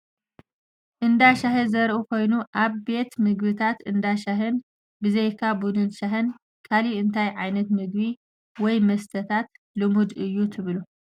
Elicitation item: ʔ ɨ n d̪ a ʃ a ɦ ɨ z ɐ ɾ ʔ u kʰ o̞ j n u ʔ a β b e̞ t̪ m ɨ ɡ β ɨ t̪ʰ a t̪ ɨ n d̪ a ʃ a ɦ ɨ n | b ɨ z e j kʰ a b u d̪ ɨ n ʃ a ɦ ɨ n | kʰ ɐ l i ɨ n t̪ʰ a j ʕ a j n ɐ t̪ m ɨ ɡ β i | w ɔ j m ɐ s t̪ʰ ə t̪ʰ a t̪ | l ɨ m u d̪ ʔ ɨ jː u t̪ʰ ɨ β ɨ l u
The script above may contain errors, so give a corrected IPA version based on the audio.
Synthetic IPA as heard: ʔ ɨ n d̪ a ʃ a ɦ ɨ z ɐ ɾ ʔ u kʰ o̞ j n u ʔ a β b e̞ t̪ m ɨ ɡ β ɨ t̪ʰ a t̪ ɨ n d̪ a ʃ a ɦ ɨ n | b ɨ z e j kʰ a b u d̪ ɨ n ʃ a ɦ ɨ n | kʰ a l i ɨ n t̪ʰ a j ʕ a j n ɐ t̪ m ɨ ɡ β i | w ɔ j m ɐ s t̪ʰ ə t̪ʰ a t̪ | l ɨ m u d̪ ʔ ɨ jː u t̪ʰ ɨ β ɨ l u